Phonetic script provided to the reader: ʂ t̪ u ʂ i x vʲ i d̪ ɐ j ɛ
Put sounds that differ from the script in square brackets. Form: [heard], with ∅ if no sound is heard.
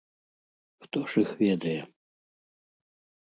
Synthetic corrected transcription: [x] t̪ [ɔ] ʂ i x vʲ [ɛ] d̪ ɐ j ɛ